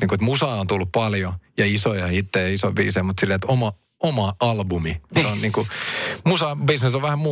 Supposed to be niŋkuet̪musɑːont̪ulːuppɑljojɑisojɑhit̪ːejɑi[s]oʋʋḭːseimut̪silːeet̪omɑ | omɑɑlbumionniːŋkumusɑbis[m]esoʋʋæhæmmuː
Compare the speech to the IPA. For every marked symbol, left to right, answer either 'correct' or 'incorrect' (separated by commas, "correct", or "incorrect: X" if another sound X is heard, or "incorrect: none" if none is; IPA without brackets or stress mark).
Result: correct, incorrect: n